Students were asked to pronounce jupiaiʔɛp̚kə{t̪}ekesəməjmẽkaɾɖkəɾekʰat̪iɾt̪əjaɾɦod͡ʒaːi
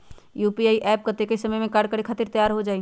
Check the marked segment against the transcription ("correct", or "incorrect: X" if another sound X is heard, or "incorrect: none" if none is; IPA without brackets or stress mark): correct